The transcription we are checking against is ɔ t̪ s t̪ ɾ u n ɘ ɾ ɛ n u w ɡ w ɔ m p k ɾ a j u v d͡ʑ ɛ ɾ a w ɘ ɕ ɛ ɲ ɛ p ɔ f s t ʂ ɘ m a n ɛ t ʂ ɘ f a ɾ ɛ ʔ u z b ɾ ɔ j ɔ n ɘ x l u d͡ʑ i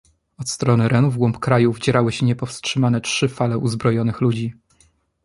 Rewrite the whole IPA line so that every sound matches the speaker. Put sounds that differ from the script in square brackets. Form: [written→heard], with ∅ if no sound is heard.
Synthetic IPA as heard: ɔ t̪ s t̪ ɾ [u→ɔ] n ɘ ɾ ɛ n u [w→v] ɡ w ɔ m p k ɾ a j u v d͡ʑ ɛ ɾ a w ɘ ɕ ɛ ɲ ɛ p ɔ f s t ʂ ɘ m a n ɛ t ʂ ɘ f a [ɾ→l] ɛ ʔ u z b ɾ ɔ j ɔ n ɘ x l u d͡ʑ i